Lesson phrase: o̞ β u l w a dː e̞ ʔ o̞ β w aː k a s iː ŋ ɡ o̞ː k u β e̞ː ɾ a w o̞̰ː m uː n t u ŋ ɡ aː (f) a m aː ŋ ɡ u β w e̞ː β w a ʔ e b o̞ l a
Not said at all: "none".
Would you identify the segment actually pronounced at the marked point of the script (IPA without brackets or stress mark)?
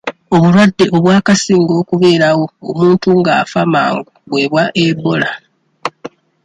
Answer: f